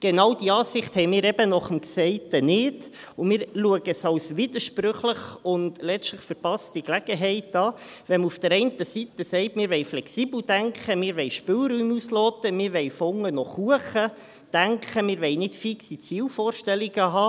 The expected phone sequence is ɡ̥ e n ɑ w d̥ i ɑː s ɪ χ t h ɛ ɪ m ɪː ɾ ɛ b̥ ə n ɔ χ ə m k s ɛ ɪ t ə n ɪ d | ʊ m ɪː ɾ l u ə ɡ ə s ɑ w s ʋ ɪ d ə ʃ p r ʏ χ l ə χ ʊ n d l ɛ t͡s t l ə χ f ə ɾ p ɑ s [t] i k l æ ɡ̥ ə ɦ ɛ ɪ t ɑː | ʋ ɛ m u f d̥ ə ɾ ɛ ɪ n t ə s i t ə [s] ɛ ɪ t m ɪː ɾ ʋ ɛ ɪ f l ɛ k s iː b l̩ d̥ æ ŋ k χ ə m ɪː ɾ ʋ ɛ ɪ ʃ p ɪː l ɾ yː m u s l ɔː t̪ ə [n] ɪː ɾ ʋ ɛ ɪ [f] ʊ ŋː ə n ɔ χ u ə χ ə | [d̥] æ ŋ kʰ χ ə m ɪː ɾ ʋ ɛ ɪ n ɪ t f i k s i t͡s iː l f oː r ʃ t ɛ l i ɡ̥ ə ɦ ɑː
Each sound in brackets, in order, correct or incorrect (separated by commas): correct, correct, incorrect, correct, correct